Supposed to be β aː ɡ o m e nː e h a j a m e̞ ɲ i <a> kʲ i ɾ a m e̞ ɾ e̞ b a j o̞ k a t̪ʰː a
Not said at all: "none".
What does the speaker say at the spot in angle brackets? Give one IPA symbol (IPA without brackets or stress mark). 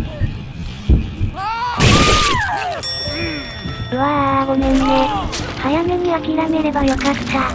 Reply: a